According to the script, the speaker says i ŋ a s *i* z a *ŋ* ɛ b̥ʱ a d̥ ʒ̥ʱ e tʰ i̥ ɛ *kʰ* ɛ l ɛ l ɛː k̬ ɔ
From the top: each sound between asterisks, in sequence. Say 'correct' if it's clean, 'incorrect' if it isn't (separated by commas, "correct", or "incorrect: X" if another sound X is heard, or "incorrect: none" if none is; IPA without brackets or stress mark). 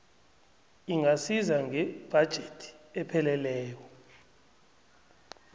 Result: correct, correct, incorrect: pʰ